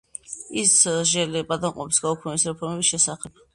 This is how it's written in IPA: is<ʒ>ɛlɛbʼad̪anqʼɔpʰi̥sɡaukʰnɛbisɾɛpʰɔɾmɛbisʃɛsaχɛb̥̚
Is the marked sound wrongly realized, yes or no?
no